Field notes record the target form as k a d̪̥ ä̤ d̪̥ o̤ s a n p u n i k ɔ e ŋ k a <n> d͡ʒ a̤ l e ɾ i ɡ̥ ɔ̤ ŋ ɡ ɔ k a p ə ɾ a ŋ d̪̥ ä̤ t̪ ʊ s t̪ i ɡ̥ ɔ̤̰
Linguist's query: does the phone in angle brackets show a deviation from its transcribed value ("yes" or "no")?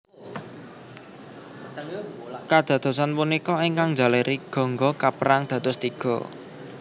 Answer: yes